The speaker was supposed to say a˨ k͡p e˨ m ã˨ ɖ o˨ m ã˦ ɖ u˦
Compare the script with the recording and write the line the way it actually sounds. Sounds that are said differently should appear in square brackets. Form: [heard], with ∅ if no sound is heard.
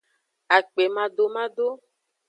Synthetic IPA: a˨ k͡p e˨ m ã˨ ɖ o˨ m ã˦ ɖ [o˦]